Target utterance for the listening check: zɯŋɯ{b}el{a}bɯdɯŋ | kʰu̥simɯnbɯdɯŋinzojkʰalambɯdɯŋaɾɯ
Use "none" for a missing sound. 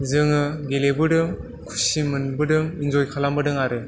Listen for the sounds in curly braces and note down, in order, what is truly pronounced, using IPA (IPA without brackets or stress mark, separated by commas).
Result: ɡ, e